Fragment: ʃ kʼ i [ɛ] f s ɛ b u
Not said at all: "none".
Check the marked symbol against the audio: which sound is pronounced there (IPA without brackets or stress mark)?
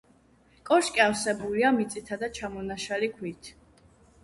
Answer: a